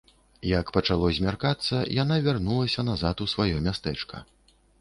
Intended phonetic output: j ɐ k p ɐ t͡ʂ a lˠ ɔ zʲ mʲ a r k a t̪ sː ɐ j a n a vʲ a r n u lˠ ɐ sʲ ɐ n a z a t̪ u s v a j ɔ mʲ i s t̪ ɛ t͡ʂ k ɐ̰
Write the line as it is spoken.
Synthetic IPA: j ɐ k p ɐ t͡ʂ a lˠ ɔ zʲ mʲ a r k a t̪ sː ɐ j a n a vʲ a r n u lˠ ɐ sʲ ɐ n a z a t̪ u s v a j ɔ mʲ a s t̪ ɛ t͡ʂ k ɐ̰

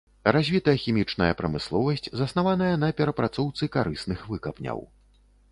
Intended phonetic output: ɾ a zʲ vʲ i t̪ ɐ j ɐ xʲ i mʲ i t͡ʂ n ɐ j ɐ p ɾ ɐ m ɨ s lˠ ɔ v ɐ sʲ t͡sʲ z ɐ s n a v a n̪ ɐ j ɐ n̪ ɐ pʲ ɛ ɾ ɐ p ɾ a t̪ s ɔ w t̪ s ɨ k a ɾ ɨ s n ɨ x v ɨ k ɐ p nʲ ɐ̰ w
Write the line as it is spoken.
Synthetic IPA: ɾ a zʲ vʲ i t̪ ɐ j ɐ xʲ i mʲ i t͡ʂ n ɐ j ɐ p ɾ ɐ m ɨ s lˠ ɔ v ɐ sʲ t͡sʲ z ɐ s n a v a n̪ ɐ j ɐ n̪ ɐ pʲ ɛ ɾ ɐ p ɾ a t̪ s ɔ w t̪ s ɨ k a ɾ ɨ s n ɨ x v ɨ k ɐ p nʲ ɐ̰ w

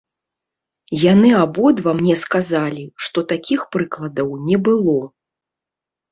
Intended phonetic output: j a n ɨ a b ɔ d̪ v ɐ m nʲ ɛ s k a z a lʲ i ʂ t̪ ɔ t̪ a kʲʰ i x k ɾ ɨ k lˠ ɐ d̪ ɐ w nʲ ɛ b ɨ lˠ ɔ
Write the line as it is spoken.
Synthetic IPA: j a n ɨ a b ɔ d̪ v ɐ m nʲ ɛ s k a z a lʲ i ʂ t̪ ɔ t̪ a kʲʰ i x p ɾ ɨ k lˠ ɐ d̪ ɐ w nʲ ɛ b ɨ lˠ ɔ

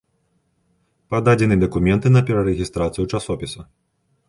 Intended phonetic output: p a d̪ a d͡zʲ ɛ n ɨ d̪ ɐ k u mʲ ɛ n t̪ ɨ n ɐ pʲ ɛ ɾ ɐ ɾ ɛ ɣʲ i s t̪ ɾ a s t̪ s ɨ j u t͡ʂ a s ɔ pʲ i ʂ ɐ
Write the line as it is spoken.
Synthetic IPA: p a d̪ a d͡zʲ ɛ n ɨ d̪ ɐ k u mʲ ɛ n t̪ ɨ n ɐ pʲ ɛ ɾ ɐ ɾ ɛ ɣʲ i s t̪ ɾ a t̪ s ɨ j u t͡ʂ a s ɔ pʲ i s ɐ

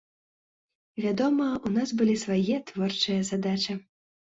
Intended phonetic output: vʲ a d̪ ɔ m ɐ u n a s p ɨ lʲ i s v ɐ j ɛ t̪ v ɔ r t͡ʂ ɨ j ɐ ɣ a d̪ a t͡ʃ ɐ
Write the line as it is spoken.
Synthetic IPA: vʲ a d̪ ɔ m ɐ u n a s b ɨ lʲ i s v a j ɛ t̪ v ɔ r t͡ʂ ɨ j ɐ z a d̪ a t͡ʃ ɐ

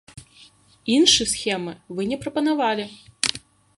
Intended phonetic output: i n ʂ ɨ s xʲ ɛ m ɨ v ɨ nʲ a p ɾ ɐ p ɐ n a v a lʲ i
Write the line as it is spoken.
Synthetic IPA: i n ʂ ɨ s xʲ ɛ m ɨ v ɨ nʲ ɛ p ɾ ɐ p ɐ n a v a lʲ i

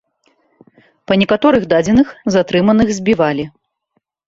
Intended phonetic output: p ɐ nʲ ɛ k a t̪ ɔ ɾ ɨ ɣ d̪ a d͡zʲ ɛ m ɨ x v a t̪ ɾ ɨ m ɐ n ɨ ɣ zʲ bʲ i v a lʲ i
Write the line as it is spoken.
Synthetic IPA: p ɐ nʲ ɛ k a t̪ ɔ ɾ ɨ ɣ d̪ a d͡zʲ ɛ n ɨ x z a t̪ ɾ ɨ m ɐ n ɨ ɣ zʲ bʲ i v a lʲ i

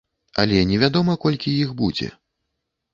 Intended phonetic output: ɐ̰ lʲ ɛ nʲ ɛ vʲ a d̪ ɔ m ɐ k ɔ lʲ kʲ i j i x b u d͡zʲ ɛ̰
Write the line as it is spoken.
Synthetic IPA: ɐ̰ lʲ ɛ nʲ ɛ vʲ a d̪ ɔ m ɐ k ɔ lʲ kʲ i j i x b u d͡zʲ ɛ̰

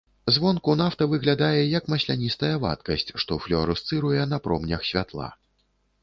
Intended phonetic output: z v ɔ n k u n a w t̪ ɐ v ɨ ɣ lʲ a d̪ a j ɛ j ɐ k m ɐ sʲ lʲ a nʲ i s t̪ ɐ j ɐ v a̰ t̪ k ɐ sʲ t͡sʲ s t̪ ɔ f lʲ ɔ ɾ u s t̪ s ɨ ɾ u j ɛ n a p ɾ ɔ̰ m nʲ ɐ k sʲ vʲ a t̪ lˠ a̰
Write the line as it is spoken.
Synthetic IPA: z v ɔ n k u n a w t̪ ɐ v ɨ ɣ lʲ a d̪ a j ɛ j ɐ k m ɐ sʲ lʲ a nʲ i s t̪ ɐ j ɐ v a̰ t̪ k ɐ sʲ t͡sʲ ʂ t̪ ɔ f lʲ ɔ ɾ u s t̪ s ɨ ɾ u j ɛ n ɐ p ɾ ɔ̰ m nʲ ɐ x sʲ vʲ a t̪ lˠ a̰

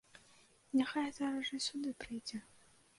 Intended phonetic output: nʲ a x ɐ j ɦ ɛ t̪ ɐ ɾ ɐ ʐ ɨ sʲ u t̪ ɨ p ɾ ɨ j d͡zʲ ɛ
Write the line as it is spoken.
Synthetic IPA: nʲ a x a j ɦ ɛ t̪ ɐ ɾ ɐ ʐ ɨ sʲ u d̪ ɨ p ɾ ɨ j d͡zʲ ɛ

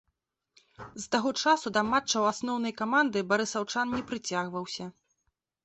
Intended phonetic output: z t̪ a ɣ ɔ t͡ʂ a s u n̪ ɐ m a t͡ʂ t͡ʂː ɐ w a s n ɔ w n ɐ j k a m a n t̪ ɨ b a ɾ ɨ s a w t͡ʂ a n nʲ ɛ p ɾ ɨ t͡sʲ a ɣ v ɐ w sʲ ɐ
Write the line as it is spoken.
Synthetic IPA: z t̪ a ɣ ɔ t͡ʂ a s u d̪ ɐ m a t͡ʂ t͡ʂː ɐ w a s n ɔ w n ɐ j k a m a n d̪ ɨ b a ɾ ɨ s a w t͡ʂ a n nʲ ɛ p ɾ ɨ t͡sʲ a ɣ v ɐ w sʲ ɐ

